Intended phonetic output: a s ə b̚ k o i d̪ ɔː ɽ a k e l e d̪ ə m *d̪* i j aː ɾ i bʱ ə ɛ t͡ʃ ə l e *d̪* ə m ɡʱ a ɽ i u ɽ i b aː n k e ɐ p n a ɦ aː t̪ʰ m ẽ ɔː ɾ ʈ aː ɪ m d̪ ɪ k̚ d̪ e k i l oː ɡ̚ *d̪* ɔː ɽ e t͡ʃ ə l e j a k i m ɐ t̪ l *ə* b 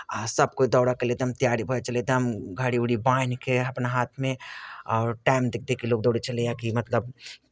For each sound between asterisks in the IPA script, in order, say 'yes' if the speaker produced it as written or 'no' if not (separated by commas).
no, yes, yes, yes